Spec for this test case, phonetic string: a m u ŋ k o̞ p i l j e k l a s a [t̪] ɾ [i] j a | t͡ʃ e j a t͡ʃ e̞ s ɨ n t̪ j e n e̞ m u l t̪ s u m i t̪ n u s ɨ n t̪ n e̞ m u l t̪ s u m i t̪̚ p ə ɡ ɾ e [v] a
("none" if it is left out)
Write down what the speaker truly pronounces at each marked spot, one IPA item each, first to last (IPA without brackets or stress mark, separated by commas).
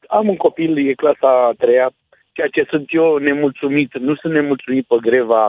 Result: t̪, e, v